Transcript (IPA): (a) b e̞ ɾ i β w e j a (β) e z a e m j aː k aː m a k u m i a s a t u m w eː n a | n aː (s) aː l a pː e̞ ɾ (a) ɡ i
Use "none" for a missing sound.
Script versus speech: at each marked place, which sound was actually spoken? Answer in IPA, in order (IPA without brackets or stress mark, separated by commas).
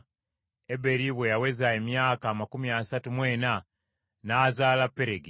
e, w, z, e